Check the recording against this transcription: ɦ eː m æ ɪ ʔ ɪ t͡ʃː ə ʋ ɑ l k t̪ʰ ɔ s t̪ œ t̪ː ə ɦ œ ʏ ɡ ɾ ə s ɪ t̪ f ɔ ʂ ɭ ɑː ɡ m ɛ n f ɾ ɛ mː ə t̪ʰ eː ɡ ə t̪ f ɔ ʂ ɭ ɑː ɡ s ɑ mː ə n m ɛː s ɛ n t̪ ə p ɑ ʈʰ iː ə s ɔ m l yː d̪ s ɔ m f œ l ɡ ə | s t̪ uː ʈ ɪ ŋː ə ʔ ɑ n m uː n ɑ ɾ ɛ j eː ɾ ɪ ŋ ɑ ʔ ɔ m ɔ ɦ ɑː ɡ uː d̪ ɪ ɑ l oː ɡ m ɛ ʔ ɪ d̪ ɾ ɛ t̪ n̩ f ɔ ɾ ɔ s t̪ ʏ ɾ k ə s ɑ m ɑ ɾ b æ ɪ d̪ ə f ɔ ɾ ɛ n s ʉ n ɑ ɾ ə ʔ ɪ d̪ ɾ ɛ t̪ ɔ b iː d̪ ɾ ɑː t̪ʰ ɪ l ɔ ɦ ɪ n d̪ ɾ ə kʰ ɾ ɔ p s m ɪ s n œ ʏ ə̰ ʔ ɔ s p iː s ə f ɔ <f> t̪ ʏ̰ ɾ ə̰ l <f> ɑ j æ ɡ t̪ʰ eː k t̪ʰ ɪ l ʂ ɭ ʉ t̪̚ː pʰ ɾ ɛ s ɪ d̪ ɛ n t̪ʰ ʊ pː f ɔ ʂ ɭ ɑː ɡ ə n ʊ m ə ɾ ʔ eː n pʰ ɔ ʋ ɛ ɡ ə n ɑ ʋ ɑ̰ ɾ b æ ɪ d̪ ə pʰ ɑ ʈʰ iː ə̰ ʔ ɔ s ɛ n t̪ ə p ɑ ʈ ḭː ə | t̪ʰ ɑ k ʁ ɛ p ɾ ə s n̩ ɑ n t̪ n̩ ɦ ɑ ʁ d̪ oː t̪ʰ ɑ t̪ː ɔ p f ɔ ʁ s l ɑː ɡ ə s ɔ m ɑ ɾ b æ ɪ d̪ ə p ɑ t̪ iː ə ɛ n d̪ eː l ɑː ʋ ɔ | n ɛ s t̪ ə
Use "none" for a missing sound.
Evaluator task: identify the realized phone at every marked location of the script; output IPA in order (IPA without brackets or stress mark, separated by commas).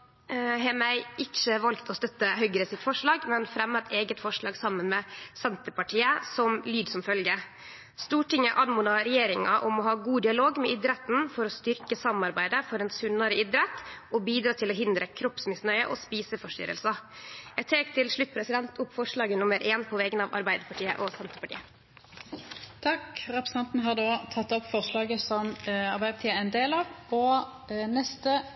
ʂ, s